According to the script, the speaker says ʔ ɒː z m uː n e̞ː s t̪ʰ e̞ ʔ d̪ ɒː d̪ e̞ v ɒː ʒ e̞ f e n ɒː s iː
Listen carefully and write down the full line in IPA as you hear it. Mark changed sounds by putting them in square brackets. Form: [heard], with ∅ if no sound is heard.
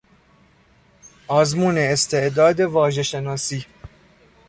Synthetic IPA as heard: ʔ ɒː z m uː n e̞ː s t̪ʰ e̞ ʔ d̪ ɒː d̪ e̞ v ɒː ʒ e̞ [ʃ] e n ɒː s iː